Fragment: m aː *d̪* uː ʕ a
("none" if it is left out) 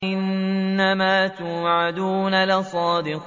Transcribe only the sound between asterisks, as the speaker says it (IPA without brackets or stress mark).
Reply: t̪